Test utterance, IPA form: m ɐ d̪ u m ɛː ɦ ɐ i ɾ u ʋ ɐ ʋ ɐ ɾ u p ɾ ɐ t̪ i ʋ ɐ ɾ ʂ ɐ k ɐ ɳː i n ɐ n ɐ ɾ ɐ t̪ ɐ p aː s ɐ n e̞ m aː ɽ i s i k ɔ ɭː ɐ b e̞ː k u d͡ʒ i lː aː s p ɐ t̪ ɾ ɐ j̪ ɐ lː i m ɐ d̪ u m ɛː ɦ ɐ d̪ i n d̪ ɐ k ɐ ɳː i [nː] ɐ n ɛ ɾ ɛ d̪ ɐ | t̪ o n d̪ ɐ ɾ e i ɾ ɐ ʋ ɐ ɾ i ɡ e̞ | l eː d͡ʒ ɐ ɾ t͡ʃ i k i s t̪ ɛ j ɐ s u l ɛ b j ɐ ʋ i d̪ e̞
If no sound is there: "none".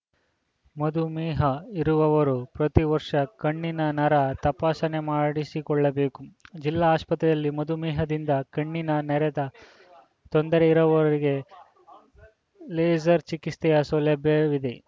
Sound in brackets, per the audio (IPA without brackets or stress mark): n